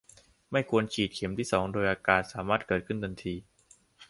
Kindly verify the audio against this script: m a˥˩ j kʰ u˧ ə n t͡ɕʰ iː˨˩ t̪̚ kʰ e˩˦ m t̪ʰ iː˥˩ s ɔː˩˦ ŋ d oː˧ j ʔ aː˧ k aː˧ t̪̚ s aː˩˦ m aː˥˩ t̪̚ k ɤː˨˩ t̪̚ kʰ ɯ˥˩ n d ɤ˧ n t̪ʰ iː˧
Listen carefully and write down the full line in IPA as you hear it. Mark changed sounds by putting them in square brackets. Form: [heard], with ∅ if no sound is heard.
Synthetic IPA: m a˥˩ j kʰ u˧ ə n t͡ɕʰ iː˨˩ t̪̚ kʰ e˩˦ m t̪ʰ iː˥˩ s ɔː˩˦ ŋ d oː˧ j ʔ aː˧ k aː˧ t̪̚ s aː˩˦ m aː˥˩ t̪̚ k ɤː˨˩ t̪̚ kʰ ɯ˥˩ n d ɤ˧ n t̪ʰ iː˧